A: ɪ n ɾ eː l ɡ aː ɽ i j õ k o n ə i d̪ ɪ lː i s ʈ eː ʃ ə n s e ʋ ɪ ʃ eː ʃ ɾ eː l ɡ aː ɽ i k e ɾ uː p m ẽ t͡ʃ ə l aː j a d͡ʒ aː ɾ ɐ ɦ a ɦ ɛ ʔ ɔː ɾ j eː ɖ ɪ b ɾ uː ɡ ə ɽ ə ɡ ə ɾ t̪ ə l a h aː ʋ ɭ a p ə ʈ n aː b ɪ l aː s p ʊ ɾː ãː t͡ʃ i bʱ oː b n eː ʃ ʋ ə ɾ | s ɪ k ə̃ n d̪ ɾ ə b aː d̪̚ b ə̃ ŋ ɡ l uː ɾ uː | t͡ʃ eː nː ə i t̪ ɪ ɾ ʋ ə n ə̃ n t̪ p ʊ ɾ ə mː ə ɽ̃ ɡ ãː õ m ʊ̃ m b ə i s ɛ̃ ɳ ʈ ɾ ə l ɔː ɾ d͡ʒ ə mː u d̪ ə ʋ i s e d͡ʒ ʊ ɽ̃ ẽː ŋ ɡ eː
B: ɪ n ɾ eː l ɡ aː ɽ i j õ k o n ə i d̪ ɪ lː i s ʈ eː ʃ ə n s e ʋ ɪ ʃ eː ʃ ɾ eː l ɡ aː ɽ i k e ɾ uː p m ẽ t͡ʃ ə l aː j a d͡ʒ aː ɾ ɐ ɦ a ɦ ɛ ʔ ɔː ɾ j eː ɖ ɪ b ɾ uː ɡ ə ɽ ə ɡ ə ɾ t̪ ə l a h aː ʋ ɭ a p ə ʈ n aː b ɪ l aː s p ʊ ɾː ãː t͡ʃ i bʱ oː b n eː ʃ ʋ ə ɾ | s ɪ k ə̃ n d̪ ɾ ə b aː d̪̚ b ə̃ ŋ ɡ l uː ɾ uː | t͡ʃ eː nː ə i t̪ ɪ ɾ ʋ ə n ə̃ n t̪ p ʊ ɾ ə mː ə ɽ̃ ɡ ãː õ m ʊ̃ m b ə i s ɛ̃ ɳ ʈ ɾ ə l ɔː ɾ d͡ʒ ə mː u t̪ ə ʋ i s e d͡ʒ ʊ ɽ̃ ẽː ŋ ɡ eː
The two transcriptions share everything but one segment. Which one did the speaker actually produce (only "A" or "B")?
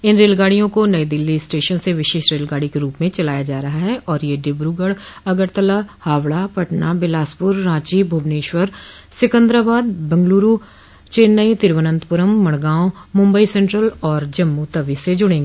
B